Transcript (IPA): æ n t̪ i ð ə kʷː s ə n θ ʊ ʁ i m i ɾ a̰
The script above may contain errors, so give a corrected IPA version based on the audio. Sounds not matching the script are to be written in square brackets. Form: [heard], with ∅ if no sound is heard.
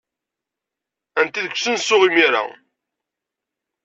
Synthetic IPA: æ n t̪ i ð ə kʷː s ə n [s] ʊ ʁ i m i ɾ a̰